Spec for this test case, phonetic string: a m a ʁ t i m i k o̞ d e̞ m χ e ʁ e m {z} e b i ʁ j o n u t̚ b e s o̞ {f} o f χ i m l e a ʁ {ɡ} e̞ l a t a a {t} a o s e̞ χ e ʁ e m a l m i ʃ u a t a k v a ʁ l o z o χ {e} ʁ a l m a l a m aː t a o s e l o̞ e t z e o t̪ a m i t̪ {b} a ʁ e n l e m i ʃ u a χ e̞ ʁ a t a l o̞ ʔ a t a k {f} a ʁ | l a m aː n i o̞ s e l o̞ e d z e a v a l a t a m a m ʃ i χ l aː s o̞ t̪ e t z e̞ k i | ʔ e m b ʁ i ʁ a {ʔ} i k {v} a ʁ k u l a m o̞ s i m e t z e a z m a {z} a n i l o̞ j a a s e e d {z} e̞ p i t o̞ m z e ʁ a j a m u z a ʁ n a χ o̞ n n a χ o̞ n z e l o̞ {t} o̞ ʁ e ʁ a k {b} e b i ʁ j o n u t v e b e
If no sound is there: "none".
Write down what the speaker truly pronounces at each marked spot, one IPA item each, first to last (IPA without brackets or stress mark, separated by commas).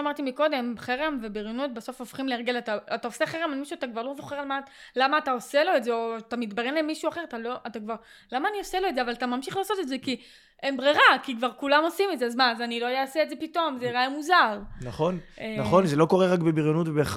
v, f, ɡ, t, e, b, v, k, v, z, z, k, b